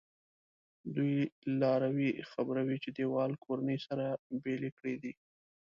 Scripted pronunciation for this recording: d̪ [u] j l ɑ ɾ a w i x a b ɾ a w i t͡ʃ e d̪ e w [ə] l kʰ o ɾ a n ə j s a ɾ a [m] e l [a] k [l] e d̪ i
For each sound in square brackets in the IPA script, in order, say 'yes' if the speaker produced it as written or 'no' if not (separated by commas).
yes, no, no, no, no